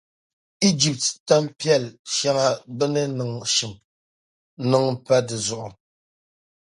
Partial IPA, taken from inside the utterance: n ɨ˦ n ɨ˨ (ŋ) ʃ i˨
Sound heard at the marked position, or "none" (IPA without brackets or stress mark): ŋ